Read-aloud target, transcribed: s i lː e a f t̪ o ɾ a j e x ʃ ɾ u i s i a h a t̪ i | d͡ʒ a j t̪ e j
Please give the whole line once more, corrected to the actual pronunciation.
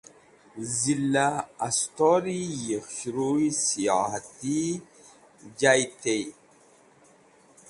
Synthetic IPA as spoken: z i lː a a s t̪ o ɾ i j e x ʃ ɾ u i s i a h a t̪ i | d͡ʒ a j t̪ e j

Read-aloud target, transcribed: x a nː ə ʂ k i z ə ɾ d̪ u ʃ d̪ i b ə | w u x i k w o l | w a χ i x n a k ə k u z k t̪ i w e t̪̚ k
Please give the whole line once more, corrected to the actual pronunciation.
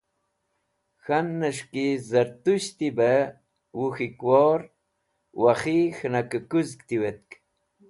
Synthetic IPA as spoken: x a nː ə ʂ k i z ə ɾ t̪ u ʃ t̪ i b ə | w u x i k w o ɾ | w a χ i x n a k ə k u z k t̪ i w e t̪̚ k

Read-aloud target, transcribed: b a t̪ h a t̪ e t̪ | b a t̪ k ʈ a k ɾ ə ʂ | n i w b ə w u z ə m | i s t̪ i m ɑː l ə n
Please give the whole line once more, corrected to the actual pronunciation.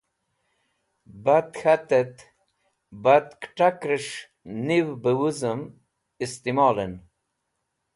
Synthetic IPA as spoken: b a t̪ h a t̪ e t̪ | b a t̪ k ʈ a k ɾ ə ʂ | n i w b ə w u z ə m | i s t̪ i m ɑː l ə n

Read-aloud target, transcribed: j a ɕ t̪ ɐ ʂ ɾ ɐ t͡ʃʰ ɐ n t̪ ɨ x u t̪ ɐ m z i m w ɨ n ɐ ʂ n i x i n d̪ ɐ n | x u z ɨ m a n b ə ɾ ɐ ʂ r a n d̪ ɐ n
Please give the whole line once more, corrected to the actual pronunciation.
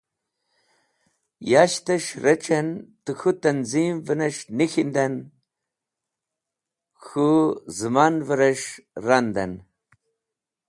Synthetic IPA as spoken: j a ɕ t̪ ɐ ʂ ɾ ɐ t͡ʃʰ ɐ n t̪ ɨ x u t̪ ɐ n z i m v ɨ n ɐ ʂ n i x i n d̪ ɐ n | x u z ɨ m a n v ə ɾ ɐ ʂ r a n d̪ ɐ n

